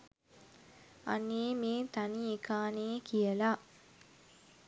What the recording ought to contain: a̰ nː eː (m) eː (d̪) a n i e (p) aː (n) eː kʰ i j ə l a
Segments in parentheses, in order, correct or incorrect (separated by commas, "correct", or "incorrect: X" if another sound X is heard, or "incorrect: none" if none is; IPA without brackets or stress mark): correct, incorrect: t̪, incorrect: k, correct